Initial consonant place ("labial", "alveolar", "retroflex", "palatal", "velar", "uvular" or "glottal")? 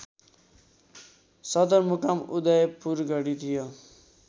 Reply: alveolar